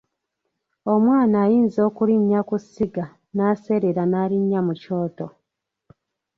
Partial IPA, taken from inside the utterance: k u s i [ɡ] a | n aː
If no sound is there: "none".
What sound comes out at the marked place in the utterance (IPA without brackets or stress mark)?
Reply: ɡ